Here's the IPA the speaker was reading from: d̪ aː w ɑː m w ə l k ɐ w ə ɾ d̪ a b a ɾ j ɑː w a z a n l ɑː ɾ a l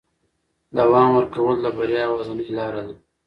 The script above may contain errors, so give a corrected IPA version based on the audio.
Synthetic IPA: d̪ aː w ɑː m w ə ɾ k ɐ w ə l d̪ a b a ɾ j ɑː w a z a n l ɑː ɾ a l